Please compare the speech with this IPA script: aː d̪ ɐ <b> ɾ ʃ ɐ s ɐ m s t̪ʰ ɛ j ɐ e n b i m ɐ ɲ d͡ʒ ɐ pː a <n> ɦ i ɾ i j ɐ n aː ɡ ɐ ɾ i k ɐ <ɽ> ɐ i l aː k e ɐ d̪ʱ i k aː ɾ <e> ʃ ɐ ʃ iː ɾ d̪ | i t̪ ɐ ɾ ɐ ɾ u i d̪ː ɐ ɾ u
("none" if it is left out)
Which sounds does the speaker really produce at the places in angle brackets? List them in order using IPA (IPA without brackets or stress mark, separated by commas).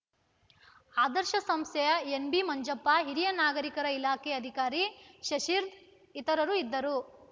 none, none, ɾ, i